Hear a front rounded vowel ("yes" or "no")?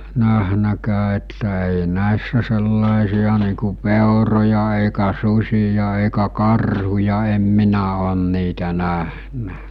no